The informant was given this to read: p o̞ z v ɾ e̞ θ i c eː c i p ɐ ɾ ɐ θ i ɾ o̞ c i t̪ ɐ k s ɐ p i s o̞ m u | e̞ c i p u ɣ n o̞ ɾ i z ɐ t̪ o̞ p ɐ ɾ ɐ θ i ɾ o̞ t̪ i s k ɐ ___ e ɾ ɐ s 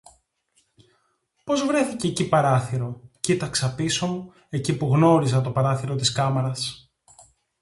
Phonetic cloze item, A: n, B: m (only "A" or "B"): B